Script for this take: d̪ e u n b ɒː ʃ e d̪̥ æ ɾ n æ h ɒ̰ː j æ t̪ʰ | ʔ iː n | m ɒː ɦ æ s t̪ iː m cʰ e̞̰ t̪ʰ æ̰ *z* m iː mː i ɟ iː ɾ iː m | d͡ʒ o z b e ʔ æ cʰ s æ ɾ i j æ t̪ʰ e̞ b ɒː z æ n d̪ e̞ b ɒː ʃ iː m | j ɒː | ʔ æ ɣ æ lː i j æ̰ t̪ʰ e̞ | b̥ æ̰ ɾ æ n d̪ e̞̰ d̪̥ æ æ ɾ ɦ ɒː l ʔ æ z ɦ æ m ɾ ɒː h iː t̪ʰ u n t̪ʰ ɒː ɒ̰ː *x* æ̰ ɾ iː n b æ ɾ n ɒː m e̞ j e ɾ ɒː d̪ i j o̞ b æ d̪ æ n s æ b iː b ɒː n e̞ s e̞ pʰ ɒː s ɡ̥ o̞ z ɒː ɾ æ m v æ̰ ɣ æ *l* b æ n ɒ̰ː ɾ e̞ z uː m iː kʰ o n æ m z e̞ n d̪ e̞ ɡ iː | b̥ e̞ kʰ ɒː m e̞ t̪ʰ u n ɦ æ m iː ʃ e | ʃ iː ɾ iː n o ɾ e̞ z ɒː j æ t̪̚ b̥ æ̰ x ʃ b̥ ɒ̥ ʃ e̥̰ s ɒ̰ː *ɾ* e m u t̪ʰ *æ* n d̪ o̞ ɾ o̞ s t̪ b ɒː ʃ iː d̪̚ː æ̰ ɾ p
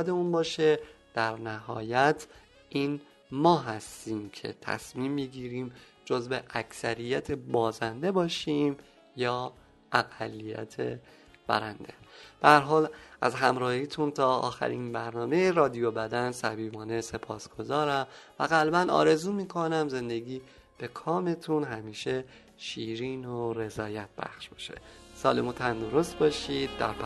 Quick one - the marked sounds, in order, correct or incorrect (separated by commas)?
incorrect, correct, correct, incorrect, correct